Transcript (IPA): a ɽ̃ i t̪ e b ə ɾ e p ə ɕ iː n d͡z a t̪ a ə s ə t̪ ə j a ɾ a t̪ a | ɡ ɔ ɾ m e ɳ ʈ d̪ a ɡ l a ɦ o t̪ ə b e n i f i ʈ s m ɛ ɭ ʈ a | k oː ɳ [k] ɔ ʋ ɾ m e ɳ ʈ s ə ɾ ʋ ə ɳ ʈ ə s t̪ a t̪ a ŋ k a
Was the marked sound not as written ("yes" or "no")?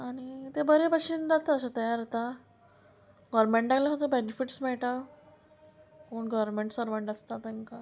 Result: yes